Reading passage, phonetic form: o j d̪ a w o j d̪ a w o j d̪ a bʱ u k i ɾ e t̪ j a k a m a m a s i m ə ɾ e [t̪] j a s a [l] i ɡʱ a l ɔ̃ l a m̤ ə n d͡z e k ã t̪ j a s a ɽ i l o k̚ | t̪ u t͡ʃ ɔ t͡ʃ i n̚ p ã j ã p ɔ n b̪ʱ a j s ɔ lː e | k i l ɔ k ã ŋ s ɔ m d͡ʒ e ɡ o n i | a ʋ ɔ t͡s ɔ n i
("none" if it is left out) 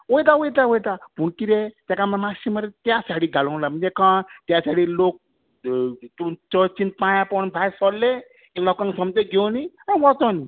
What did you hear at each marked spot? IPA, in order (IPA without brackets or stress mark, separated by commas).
t̪, ɽ